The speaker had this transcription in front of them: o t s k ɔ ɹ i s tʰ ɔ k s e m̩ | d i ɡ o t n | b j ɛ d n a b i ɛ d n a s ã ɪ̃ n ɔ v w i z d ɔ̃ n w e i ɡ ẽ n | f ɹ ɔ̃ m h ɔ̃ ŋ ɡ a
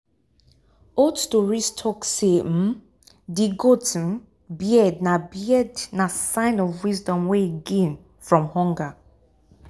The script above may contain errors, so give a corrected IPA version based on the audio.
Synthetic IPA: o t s t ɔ ɹ i s tʰ ɔ k s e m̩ | d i ɡ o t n | b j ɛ d n a b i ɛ d n a s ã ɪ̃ n ɔ v w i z d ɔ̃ m w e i ɡ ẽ n | f ɹ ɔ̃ m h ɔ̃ ŋ ɡ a